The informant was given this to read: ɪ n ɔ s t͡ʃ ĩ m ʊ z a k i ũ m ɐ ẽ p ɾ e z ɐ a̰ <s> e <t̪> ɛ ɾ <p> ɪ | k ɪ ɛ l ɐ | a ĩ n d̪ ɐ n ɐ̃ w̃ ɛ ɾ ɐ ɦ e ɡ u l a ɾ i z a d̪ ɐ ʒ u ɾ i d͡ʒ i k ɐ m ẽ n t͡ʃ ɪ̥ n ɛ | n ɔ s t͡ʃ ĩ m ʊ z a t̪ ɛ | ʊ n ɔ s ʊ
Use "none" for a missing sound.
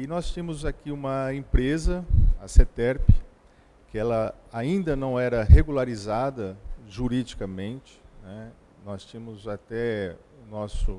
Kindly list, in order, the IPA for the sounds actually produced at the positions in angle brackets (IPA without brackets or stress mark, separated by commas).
s, t̪, p